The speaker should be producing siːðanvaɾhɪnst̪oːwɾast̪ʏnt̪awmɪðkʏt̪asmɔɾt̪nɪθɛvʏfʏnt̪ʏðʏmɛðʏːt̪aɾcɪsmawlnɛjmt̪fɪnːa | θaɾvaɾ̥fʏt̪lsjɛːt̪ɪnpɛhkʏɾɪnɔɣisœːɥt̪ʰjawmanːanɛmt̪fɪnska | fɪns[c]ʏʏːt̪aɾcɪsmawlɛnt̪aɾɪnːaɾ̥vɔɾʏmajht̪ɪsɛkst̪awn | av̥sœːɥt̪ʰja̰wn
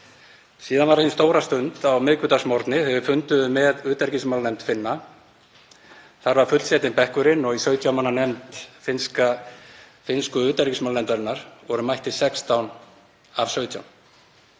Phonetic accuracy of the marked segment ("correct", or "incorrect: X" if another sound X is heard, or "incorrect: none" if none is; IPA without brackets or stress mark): incorrect: k